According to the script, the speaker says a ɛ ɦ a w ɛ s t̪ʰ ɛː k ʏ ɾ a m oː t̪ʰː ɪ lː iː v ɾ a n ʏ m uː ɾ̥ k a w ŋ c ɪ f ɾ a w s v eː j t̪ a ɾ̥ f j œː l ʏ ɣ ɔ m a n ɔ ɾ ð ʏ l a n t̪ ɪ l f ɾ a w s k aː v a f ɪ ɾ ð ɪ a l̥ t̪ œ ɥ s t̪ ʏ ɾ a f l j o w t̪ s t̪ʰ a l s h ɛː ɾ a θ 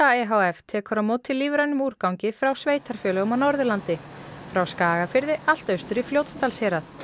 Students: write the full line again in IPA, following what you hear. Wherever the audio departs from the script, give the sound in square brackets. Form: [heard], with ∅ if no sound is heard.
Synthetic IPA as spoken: a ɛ ɦ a w ɛ [f] t̪ʰ ɛː k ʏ ɾ a m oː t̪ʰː ɪ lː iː v ɾ a n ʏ m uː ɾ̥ k a w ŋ c ɪ f ɾ a w s v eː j t̪ a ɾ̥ f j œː l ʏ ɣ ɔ m a n ɔ ɾ ð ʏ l a n t̪ ɪ [∅] f ɾ a w s k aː [ɣ] a f ɪ ɾ ð ɪ a l̥ t̪ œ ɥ s t̪ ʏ ɾ [i] f l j o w t̪ s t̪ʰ a l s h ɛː ɾ a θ